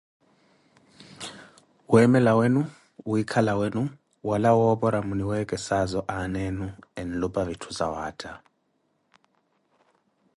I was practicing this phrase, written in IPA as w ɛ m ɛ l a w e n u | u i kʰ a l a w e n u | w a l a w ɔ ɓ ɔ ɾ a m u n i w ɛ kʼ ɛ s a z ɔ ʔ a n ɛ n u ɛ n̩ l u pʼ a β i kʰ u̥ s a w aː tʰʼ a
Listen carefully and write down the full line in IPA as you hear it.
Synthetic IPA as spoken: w ɛ m ɛ l a w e n u | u i kʰ a l a w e n u | w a l a w ɔ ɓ ɔ ɾ a m u n i w ɛ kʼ ɛ s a z ɔ ʔ a n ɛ n u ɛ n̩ l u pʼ a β i tʰ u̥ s a w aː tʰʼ a